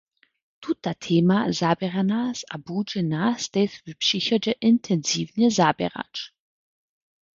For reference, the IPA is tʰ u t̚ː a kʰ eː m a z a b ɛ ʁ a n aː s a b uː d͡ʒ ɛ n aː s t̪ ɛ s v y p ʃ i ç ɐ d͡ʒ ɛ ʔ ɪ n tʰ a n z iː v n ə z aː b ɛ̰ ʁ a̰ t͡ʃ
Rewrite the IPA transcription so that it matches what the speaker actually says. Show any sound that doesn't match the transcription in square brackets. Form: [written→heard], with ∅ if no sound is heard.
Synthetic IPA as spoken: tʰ u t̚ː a [kʰ→tʰ] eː m a z a b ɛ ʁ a n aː s a b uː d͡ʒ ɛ n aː s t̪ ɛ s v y p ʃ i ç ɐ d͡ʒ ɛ ʔ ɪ n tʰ [a→ɛ] n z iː v n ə z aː b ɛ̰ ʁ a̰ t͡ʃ